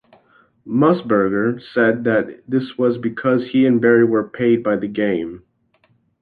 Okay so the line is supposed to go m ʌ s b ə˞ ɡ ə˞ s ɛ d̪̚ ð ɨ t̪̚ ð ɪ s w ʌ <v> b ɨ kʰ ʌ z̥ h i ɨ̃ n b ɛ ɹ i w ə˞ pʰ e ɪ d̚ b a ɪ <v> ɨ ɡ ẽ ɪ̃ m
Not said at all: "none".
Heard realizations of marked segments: z, ð

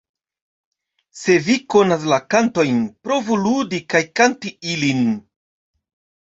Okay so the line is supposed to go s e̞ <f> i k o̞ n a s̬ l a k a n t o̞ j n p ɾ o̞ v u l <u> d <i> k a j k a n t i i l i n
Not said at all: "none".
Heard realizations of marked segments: v, u, i

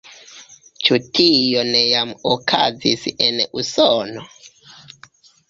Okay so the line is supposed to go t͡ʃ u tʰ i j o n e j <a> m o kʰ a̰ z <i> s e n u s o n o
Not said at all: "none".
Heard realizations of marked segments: a, i

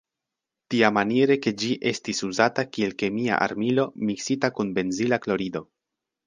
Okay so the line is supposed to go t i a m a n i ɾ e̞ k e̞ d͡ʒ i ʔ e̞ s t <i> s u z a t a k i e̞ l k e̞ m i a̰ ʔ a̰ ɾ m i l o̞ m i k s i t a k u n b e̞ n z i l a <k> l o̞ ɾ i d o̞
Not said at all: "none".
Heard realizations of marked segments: i, k

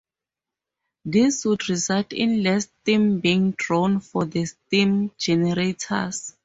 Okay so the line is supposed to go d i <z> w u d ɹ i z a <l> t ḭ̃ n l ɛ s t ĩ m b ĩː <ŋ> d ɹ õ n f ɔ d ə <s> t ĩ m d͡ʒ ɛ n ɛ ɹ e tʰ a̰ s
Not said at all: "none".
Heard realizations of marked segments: s, l, ŋ, s

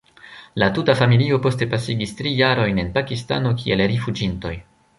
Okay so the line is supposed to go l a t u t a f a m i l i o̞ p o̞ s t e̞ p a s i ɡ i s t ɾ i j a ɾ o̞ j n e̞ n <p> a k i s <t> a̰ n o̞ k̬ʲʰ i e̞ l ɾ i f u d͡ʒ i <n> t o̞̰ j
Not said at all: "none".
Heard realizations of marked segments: p, t, n

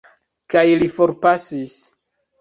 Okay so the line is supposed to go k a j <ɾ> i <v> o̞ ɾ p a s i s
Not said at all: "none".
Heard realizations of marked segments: l, f

